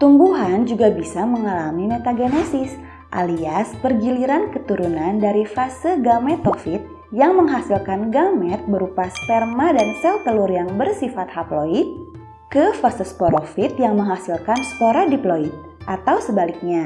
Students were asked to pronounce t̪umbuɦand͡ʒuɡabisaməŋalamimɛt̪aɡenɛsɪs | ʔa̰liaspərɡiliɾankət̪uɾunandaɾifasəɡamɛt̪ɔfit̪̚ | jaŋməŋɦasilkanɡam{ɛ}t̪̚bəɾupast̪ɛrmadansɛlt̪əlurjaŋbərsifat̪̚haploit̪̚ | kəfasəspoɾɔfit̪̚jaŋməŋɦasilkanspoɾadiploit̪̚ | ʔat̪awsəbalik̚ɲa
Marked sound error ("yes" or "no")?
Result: no